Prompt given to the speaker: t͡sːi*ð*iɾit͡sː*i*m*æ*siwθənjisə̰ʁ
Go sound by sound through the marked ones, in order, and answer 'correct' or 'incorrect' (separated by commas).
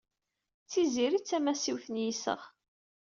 incorrect, incorrect, correct